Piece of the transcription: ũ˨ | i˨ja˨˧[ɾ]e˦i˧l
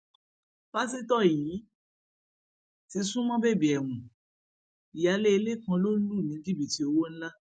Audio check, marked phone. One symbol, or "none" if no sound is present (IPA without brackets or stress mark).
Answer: l